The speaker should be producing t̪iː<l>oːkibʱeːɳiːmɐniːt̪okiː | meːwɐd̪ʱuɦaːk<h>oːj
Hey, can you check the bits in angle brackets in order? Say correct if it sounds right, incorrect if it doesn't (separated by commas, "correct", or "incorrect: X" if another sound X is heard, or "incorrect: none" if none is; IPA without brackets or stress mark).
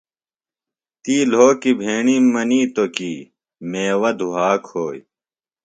correct, correct